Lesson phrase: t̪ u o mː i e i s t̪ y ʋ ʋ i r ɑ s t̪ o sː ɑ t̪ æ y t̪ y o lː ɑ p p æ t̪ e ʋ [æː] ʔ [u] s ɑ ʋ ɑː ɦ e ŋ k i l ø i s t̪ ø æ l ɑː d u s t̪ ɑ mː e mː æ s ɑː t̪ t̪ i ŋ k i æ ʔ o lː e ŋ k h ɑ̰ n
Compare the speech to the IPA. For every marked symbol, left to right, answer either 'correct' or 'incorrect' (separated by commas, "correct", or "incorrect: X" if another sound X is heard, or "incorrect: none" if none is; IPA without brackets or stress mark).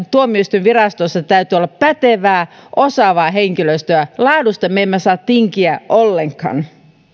correct, incorrect: o